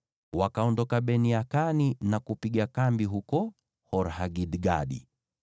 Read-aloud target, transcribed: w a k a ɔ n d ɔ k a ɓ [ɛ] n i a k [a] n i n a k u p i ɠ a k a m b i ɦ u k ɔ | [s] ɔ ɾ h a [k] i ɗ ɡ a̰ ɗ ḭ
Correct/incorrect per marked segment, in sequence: correct, correct, incorrect: h, incorrect: ɡ

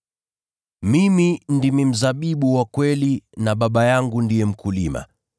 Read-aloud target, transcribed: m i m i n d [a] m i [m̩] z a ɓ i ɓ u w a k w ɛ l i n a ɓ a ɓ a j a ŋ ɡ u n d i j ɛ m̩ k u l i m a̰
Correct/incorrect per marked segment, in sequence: incorrect: i, correct

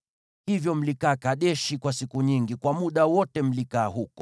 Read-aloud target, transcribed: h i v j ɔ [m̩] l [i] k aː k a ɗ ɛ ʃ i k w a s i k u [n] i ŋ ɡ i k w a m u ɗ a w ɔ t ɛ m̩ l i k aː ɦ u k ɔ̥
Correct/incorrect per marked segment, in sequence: correct, correct, incorrect: ɲ

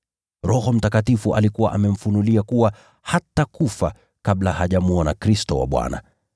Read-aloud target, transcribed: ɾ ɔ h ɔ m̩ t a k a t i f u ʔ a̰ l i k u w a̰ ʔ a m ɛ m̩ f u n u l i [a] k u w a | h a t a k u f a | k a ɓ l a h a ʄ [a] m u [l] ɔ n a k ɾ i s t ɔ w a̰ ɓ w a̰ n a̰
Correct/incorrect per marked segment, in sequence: correct, correct, incorrect: none

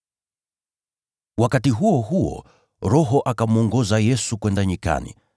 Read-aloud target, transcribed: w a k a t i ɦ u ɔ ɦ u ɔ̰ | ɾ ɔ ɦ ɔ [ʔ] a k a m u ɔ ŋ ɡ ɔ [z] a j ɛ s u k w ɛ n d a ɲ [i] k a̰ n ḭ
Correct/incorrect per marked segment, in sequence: correct, correct, correct

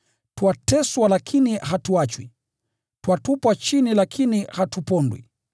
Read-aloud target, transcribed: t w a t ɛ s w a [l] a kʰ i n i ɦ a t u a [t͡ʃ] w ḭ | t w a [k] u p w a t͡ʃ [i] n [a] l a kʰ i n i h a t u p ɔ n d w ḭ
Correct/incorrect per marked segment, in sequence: correct, correct, incorrect: t, correct, incorrect: i

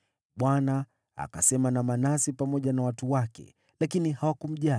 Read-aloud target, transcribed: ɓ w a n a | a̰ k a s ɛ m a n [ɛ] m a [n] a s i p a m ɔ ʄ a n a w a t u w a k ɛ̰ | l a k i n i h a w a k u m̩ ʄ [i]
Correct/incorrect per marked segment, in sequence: incorrect: a, correct, incorrect: a

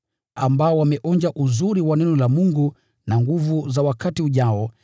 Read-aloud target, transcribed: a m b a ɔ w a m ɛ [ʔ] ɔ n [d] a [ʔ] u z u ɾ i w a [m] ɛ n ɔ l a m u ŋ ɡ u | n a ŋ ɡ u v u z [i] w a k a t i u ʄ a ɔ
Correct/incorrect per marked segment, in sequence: correct, incorrect: d͡ʒ, correct, incorrect: n, incorrect: a

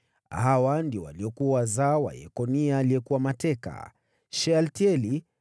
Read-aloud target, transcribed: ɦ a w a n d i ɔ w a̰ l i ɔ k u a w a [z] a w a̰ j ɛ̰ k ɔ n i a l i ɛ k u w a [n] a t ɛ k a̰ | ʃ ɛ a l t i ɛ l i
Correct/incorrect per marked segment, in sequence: correct, incorrect: m

